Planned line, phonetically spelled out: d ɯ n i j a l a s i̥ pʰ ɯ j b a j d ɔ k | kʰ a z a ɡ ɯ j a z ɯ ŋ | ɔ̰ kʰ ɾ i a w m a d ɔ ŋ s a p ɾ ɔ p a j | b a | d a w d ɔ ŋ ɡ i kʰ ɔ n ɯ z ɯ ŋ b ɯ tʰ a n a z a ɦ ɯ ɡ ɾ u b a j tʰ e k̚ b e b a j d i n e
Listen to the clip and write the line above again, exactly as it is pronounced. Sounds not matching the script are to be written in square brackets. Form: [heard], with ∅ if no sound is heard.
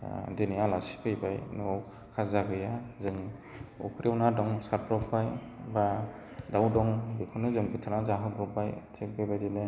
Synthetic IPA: d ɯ n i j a l a s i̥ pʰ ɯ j b a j [n] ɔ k | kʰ a z a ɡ ɯ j a z ɯ ŋ | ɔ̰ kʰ ɾ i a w [n] a d ɔ ŋ s a p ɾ ɔ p a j | b a | d a w d ɔ ŋ [b] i kʰ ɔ n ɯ z ɯ ŋ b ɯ tʰ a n a z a ɦ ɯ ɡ ɾ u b a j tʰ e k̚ b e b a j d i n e